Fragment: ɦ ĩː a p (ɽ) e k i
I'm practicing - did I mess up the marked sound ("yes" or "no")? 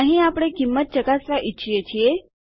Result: no